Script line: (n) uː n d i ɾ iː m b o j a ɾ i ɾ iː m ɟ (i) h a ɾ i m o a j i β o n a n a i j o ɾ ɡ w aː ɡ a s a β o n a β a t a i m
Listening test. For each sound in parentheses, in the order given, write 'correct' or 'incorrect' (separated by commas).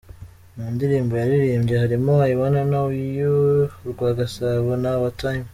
incorrect, incorrect